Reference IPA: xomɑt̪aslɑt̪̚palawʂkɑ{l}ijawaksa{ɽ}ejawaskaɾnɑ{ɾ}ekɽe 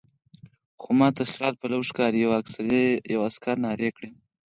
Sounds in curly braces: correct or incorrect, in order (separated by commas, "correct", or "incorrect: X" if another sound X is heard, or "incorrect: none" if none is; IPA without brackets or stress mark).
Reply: incorrect: ɾ, incorrect: ɾ, correct